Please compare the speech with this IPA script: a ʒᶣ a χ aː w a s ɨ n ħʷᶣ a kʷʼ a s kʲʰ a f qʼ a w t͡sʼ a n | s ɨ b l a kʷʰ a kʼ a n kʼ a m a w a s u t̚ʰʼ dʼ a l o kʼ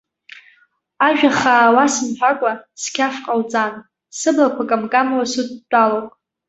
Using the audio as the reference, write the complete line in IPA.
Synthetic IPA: a ʒᶣ a χ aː w a s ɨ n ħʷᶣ a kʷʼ a s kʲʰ a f qʼ a w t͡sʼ a n | s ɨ b l a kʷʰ a kʼ a m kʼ a m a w a s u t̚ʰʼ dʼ a l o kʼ

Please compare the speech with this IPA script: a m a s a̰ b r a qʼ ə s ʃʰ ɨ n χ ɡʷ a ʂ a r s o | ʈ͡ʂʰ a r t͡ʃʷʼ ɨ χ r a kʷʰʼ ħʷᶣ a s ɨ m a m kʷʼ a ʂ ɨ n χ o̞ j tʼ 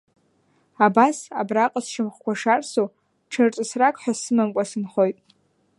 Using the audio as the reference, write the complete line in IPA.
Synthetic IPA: a b a s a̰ b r a qʼ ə s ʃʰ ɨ m χ kʷ a ʂ a r s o | ʈ͡ʂʰ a r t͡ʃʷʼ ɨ s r a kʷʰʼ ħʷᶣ a s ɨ m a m kʷʼ a s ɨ n χ o̞ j tʼ

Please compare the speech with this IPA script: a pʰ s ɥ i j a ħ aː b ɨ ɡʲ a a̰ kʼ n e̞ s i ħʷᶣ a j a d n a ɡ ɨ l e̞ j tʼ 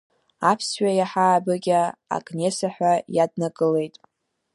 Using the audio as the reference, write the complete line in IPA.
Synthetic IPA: a pʰ s ɥ a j a ħ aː b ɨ ɡʲ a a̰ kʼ n e̞ s a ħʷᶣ a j a d n a ɡ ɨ l e̞ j tʼ

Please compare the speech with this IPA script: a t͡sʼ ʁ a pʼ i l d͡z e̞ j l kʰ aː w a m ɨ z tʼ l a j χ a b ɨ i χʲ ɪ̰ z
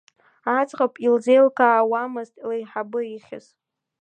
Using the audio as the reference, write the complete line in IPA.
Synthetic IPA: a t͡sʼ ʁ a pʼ i l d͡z e̞ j l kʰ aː w a m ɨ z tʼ l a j ħ a b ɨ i χʲ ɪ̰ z

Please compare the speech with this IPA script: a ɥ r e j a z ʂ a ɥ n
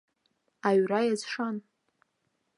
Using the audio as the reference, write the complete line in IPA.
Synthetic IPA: a ɥ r a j a z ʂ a n

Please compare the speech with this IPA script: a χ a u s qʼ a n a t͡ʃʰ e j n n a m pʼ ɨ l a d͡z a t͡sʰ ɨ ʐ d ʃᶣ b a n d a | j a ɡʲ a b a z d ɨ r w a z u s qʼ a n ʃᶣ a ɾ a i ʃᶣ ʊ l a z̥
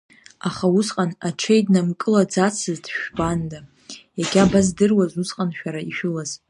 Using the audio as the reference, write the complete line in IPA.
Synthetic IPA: a χ a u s qʼ a n a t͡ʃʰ e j d n a m kʼ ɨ l a d͡z a t͡sʰ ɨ z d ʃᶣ b a n d a | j a ɡʲ a b a z d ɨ r w a z u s qʼ a n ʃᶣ a ɾ a i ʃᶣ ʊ l a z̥

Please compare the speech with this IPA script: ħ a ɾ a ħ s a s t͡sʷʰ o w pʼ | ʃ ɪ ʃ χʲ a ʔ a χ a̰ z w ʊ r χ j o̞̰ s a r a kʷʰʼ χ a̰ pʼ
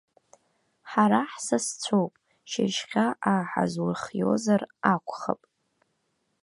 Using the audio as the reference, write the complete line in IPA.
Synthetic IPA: ħ a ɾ a ħ s a s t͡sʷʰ o w pʼ | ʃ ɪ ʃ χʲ a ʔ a ħ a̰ z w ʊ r χ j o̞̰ z a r a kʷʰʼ χ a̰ pʼ

